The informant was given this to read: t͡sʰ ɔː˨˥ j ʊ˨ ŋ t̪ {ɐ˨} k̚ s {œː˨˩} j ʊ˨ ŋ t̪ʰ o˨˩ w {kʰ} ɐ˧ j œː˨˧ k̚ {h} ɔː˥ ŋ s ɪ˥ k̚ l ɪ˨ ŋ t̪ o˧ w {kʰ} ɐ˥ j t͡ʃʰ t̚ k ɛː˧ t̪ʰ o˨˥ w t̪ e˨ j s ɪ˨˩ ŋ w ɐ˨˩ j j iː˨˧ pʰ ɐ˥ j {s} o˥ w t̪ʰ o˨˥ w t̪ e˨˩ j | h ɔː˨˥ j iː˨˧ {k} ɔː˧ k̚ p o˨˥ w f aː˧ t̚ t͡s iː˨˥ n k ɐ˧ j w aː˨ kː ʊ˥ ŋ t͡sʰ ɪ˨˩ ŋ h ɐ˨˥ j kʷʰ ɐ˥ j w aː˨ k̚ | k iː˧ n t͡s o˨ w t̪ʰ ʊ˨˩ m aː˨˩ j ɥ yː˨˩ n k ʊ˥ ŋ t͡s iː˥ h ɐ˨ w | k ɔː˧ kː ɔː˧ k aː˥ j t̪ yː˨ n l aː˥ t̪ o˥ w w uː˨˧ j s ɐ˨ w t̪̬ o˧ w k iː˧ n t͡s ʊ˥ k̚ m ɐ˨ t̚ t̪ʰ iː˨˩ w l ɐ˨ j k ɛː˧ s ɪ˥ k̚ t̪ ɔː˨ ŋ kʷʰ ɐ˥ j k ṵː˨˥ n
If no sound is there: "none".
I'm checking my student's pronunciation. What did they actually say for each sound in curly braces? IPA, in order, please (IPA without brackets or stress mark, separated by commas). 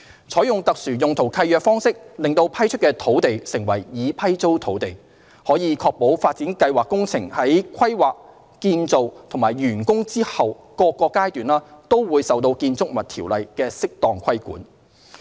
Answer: ɐ˨, yː˨˩, kʰ, f, pʰ, t͡s, kʰ